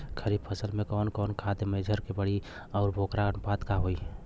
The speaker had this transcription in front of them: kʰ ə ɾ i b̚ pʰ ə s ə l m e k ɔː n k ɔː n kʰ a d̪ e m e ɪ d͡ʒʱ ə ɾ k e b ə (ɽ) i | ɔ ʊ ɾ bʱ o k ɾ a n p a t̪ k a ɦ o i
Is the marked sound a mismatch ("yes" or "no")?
no